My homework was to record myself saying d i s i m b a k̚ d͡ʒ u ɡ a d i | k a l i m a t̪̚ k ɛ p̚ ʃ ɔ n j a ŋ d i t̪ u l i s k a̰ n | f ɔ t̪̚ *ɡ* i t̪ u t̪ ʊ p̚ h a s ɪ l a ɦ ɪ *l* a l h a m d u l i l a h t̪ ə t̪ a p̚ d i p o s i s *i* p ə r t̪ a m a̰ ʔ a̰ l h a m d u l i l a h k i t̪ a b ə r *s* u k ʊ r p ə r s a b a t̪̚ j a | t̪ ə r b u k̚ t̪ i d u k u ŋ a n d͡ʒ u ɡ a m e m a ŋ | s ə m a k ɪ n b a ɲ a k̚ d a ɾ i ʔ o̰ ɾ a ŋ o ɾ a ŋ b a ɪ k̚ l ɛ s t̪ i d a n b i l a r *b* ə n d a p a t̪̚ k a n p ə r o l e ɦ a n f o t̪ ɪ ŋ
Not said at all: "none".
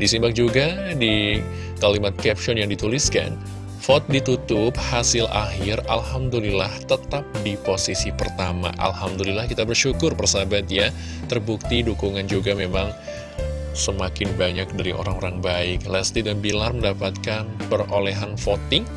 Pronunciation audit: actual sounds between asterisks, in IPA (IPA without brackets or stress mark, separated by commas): d, r, i, ʃ, m